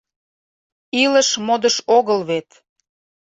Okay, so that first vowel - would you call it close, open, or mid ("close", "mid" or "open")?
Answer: close